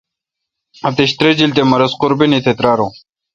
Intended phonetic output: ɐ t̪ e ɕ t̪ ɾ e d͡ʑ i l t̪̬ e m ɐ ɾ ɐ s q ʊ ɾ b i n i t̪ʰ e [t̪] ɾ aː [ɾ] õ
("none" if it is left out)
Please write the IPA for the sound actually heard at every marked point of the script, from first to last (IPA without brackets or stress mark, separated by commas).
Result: t̪, ɾ